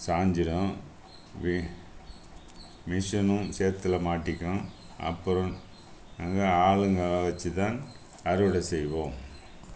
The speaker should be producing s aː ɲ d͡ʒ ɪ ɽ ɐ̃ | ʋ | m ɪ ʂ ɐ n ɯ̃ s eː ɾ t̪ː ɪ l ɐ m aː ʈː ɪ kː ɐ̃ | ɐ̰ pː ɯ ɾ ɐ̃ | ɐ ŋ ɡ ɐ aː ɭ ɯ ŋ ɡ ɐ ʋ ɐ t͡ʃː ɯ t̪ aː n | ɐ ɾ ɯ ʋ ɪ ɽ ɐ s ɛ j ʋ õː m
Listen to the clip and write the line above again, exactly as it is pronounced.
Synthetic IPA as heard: s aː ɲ d͡ʒ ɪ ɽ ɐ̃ | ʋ | m ɪ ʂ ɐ n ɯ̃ s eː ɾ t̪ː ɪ l ɐ m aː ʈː ɪ kː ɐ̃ | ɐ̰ pː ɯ ɾ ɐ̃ | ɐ ŋ ɡ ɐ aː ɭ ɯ ŋ ɡ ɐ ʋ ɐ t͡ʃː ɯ t̪ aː n | ɐ ɾ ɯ ʋ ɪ ɽ ɐ s ɛ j ʋ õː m